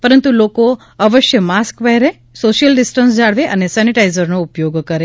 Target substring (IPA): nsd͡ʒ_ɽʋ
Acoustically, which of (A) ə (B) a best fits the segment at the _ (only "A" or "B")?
B